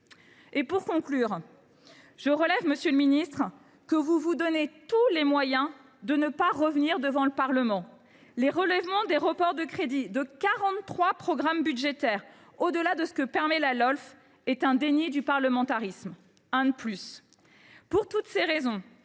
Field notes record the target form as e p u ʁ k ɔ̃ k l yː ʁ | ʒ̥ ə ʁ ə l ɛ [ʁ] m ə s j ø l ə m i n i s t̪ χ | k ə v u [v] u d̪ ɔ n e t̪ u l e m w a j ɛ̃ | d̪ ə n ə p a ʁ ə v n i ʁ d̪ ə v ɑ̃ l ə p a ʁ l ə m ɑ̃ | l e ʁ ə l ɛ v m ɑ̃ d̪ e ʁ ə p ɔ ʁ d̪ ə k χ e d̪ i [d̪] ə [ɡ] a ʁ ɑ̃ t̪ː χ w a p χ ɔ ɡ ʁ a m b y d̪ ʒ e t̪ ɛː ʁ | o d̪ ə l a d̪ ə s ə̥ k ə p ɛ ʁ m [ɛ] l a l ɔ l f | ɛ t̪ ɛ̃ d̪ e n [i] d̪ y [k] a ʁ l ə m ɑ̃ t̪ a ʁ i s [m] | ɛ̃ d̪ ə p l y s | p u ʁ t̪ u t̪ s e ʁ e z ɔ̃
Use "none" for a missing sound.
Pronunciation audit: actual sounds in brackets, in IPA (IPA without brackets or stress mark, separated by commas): v, v, d̪, k, ɛ, i, p, m